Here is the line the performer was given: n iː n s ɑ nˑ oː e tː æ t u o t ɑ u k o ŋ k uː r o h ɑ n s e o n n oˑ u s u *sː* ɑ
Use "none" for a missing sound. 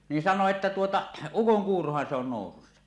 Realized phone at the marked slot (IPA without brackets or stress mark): sː